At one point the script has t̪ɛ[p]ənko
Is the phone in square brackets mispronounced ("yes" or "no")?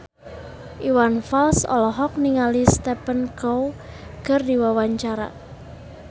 no